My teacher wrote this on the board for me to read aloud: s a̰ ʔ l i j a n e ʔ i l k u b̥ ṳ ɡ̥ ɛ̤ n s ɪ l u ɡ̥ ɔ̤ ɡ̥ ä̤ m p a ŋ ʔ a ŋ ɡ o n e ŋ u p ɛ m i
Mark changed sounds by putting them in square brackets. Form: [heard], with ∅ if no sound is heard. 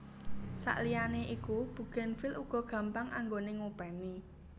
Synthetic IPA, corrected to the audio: s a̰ ʔ l i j a n e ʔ i [∅] k u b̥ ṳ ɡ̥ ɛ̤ n [f] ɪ l u ɡ̥ ɔ̤ ɡ̥ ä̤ m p a ŋ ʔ a ŋ ɡ o n e ŋ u p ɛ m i